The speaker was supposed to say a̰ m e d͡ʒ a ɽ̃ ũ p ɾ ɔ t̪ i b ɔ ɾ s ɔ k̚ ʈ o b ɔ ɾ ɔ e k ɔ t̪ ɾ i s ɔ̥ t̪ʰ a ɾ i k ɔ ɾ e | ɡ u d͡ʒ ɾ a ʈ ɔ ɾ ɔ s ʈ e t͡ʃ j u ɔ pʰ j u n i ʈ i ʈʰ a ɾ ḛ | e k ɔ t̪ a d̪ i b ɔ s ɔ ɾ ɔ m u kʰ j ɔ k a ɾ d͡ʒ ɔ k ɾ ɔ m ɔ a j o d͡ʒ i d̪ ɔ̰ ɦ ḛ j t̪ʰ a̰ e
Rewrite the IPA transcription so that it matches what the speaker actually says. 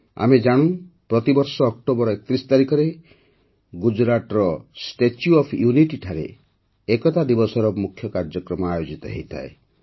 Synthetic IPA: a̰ m e d͡ʒ a ɽ̃ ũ p ɾ ɔ t̪ i b ɔ ɾ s ɔː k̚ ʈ o b ɔ ɾ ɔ e k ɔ t̪ ɾ i s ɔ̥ t̪ a ɾ i k ɔ ɾ e | ɡ u d͡ʒ ɾ a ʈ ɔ ɾ ɔ s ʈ e t͡ʃ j u ɔ pʰ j u n i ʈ i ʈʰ a ɾ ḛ | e k ɔ t̪ a d̪ i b ɔ s ɔ ɾ ɔ m u kʰ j ɔ k a ɾ d͡ʒ ɔ k ɾ ɔ m ɔ a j o d͡ʒ i t̪ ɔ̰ ɦ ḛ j t̪ʰ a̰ e